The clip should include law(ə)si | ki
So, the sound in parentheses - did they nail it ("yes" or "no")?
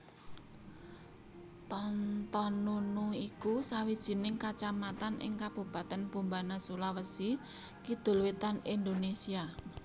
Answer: yes